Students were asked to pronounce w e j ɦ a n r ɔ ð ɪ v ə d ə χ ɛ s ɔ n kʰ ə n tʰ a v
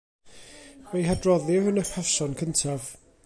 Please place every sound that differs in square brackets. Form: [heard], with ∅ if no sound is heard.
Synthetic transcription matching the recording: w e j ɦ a [d] r ɔ ð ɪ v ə [n] ə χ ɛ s ɔ n kʰ ə n tʰ a v

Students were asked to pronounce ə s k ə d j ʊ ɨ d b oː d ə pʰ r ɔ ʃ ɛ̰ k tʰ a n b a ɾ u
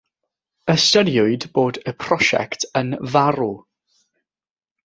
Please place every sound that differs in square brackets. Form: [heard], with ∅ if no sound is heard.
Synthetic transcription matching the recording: ə s [t] ə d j ʊ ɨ d b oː d ə pʰ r ɔ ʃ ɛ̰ k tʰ [ə] n [v] a ɾ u

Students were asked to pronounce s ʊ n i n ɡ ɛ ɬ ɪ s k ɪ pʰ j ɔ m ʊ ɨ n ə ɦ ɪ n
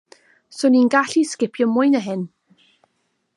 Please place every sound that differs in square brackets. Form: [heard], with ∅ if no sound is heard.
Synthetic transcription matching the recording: s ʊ n i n ɡ [a] ɬ [i] s k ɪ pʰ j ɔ m ʊ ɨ n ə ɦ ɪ n

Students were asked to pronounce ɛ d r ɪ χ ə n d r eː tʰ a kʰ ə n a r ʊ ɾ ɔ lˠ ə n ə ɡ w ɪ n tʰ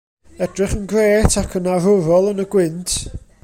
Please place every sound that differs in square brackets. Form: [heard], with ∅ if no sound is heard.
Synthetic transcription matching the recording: ɛ d r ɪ χ ə n [ɡ] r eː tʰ a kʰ ə n a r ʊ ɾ ɔ lˠ ə n ə ɡ w ɪ n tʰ

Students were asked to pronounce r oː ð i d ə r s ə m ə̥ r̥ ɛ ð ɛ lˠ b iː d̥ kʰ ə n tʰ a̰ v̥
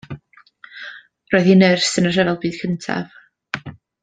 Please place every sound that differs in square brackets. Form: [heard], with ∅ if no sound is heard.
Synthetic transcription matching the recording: r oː ð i [n] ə r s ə [n] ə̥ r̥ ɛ [v] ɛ lˠ b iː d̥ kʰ ə n tʰ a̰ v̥

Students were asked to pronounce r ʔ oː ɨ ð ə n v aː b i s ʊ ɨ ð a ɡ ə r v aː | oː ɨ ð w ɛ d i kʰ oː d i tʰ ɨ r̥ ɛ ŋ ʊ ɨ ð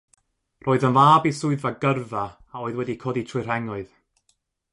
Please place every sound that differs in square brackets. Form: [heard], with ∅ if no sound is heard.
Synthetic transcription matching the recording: r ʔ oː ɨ ð ə n v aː b i s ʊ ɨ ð a ɡ ə r v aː | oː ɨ ð w ɛ d i kʰ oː d i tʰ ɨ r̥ ɛ ŋ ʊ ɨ ð

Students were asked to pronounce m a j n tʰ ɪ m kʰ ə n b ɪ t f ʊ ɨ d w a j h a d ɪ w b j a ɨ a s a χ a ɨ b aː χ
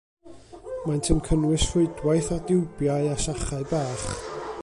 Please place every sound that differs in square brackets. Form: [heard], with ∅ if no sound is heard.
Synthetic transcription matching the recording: m a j n tʰ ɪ m kʰ ə n [w] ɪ [s] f ʊ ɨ d w a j [θ] a d ɪ w b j a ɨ a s a χ a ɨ b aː χ

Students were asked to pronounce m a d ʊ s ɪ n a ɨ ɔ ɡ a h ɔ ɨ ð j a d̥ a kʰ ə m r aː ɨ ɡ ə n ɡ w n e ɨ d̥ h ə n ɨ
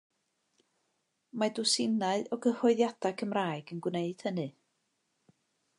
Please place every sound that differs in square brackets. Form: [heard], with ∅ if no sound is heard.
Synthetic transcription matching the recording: m a d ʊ s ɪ n a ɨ ɔ ɡ [ə] h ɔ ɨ ð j a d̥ a kʰ ə m r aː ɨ ɡ ə n ɡ w n e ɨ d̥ h ə n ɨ

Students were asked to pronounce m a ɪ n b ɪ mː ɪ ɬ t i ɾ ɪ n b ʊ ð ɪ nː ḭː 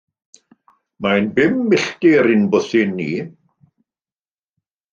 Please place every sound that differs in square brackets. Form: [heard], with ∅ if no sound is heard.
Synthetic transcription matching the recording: m a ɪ n b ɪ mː ɪ ɬ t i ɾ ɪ n b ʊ [θ] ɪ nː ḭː

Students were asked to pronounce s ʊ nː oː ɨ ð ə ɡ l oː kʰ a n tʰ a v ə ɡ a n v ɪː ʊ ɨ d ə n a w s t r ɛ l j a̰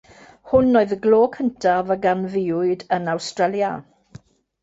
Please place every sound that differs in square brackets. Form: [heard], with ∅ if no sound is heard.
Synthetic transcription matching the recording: [h] ʊ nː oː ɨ ð ə ɡ l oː kʰ [ə] n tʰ a v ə ɡ a n v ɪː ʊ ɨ d ə n a w s t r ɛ l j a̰

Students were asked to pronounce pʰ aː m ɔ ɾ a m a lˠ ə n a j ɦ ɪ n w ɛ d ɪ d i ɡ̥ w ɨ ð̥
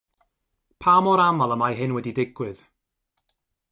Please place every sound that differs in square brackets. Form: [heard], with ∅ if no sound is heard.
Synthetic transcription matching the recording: pʰ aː m ɔ ɾ a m a lˠ ə [m] a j ɦ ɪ n w ɛ d [i] d [ɪ] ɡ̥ w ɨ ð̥

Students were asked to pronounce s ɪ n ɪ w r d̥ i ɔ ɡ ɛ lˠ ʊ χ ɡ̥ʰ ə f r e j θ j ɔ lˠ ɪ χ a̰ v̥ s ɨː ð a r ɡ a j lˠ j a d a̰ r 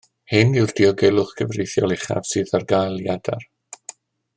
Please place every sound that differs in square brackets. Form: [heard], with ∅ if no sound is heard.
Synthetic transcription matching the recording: [h] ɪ n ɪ w r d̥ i ɔ ɡ ɛ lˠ ʊ χ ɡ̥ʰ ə [v] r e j θ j ɔ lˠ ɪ χ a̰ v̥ s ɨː ð a r ɡ a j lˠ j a d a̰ r

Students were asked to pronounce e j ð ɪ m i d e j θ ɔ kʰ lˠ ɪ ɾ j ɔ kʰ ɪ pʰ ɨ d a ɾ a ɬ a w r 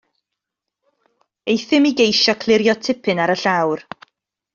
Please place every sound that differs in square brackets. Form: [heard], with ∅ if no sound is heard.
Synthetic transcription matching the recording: e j [θ] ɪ m i [ɡ] e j [ʃ] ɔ kʰ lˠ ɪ ɾ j ɔ [tʰ] ɪ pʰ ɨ [n] a ɾ [ə] ɬ a w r

